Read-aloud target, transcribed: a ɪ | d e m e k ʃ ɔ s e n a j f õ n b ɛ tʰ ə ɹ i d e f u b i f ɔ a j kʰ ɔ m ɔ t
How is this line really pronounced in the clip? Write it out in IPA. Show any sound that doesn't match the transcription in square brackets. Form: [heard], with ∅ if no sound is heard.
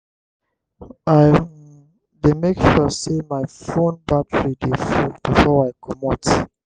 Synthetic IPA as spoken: a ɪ | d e m e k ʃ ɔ s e [m] a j f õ n b [a] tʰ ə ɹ i d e f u b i f ɔ a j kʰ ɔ m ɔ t